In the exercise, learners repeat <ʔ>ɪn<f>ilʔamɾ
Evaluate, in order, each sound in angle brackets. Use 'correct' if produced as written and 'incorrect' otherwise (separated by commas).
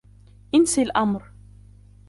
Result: correct, incorrect